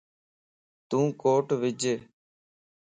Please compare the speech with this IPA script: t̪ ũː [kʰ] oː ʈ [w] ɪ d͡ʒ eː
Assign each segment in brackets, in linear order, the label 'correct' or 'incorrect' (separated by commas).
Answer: incorrect, incorrect